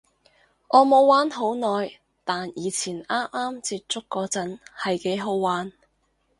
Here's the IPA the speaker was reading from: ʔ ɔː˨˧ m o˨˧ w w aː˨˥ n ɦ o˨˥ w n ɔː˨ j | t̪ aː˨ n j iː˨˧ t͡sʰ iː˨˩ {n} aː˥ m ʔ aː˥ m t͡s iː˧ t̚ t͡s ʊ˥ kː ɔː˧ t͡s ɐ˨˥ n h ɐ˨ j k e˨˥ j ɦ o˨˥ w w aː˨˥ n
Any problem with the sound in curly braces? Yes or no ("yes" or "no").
no